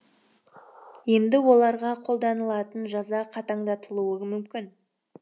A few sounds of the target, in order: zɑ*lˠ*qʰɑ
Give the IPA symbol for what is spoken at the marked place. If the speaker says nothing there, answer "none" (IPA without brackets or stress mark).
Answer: none